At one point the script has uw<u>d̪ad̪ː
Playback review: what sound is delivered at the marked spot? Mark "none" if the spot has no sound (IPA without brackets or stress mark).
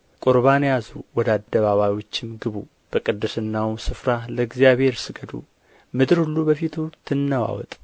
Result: ɔ